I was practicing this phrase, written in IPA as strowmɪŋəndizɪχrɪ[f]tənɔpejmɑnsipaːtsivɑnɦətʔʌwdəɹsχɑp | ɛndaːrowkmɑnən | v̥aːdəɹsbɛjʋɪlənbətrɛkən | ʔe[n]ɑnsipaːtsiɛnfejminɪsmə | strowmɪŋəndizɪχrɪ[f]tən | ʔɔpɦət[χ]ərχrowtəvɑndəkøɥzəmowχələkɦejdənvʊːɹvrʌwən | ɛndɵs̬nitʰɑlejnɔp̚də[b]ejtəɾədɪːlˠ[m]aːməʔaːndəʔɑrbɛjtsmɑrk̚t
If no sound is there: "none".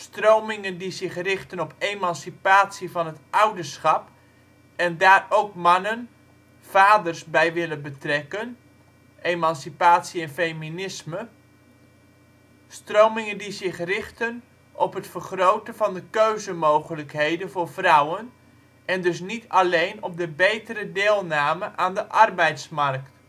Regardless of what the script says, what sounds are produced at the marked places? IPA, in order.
χ, m, χ, f, b, n

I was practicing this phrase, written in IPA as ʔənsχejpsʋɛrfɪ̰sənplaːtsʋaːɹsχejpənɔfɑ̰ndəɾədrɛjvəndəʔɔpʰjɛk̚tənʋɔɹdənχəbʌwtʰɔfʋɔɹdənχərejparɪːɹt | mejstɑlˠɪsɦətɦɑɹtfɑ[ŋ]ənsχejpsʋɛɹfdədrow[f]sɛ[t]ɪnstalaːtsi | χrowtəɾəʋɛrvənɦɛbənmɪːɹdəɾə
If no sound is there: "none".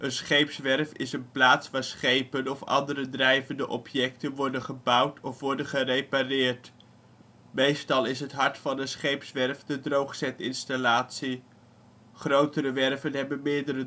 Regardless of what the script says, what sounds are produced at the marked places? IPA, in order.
n, χ, t

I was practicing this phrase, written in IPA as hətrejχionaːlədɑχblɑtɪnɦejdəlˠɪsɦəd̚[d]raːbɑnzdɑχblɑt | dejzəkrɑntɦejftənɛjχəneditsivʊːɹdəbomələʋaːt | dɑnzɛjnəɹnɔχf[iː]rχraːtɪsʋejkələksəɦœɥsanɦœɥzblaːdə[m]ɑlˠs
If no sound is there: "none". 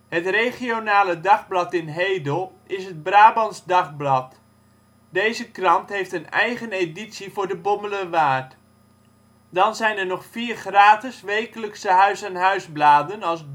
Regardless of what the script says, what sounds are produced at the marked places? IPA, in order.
b, iː, n

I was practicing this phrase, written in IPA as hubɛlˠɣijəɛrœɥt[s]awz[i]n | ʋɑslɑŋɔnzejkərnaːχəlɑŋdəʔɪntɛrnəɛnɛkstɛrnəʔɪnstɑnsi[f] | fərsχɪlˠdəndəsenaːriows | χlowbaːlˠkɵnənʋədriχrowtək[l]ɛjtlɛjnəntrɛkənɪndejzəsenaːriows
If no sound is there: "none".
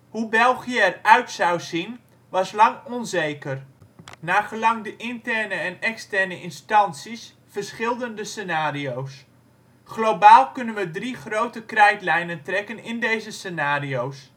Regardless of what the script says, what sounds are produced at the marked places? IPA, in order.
s, i, s, r

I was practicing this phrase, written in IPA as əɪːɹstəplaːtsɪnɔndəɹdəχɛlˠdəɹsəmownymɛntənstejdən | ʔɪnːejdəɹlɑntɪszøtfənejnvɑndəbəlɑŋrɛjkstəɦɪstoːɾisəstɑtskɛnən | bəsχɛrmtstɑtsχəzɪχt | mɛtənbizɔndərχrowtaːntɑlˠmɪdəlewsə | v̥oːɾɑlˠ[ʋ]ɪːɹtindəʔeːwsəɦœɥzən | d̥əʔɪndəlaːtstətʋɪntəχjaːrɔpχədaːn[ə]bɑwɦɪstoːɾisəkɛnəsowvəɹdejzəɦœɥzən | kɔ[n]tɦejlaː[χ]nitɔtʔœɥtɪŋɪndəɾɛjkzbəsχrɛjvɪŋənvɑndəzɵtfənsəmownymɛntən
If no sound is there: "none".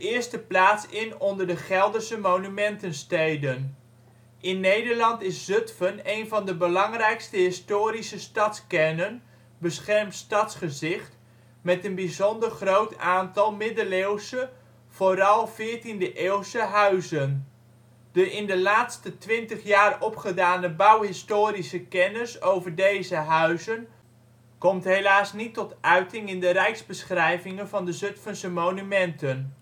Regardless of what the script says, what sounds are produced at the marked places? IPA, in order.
v, ə, m, s

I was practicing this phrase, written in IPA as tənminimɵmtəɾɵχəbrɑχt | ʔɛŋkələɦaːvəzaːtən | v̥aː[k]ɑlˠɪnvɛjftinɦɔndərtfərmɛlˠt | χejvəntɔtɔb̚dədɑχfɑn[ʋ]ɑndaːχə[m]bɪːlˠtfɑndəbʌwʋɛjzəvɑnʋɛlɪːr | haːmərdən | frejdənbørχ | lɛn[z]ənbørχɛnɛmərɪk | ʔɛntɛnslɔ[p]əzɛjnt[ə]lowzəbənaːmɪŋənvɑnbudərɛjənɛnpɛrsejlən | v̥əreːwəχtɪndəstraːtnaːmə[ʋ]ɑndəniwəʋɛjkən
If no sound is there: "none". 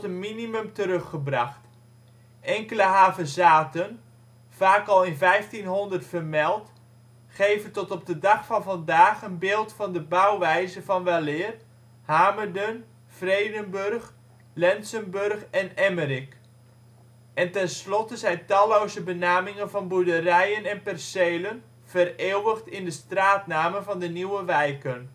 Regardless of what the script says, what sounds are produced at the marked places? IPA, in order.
k, v, n, s, t, ɑ, v

